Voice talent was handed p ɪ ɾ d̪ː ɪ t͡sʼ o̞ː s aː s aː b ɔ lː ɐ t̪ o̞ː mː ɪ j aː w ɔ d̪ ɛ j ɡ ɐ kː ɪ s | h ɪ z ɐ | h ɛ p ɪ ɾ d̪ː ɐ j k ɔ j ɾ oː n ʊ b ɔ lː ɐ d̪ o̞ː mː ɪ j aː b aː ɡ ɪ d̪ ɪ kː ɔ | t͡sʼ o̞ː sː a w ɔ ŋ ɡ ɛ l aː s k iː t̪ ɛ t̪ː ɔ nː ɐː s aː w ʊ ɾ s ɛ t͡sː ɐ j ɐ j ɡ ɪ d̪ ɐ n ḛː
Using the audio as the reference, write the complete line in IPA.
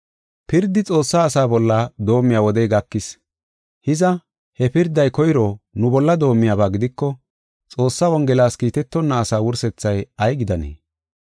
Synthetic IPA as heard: p ɪ ɾ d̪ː ɪ t͡sʼ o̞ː sː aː s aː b ɔ lː ɐ d̪ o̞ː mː ɪ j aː w ɔ d̪ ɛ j ɡ ɐ kː ɪ s | h ɪ z ɐ | h ɛ p ɪ ɾ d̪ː ɐ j k ɔ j ɾ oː n ʊ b ɔ lː ɐ d̪ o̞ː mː ɪ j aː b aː ɡ ɪ d̪ ɪ kː ɔ | t͡sʼ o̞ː sː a w ɔ ŋ ɡ ɛ l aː s k iː t̪ ɛ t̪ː ɔ nː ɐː s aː w ʊ ɾ s ɛ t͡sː ɐ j ɐ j ɡ ɪ d̪ ɐ n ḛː